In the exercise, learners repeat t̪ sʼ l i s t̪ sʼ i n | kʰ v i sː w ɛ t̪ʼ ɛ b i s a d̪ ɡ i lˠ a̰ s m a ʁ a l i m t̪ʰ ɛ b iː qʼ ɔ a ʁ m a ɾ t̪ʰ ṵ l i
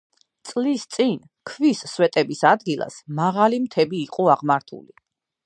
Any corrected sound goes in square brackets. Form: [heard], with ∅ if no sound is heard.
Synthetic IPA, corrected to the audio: t̪ sʼ l i s t̪ sʼ i n | kʰ v i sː w ɛ t̪ʼ ɛ b i s a d̪ ɡ i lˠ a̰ s m a ʁ a l i m t̪ʰ ɛ b iː qʼ ɔ a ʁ m a ɾ t̪ʰ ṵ l i